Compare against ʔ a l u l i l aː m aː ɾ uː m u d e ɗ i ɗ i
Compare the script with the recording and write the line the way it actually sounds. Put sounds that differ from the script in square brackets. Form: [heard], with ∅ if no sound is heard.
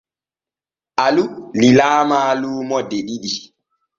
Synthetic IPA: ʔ a l u l i l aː m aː [l] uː m [ɔ] d e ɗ i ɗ i